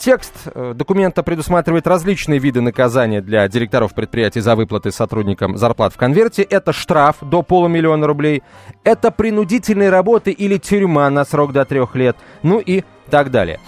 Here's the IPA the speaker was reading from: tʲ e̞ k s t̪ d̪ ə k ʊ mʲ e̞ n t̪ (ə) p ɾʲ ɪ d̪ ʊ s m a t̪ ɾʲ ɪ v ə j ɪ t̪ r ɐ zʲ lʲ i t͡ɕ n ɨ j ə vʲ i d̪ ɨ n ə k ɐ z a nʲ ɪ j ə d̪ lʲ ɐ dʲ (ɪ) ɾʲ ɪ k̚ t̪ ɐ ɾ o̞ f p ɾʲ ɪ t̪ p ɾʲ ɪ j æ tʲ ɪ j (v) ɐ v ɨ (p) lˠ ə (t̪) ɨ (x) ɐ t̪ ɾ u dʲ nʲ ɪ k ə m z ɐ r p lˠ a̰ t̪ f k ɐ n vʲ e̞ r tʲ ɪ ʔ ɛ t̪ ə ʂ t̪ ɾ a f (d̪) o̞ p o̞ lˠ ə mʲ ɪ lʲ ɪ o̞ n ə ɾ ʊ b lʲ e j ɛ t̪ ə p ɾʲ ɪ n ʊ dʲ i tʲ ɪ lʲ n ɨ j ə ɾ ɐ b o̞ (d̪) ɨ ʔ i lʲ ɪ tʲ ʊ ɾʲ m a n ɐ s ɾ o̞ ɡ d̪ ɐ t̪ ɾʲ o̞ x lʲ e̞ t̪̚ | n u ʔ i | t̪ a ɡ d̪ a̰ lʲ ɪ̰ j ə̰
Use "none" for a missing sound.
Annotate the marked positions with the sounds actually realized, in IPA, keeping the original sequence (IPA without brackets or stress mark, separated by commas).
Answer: ə, ɪ, z, p, t̪, s, d̪, t̪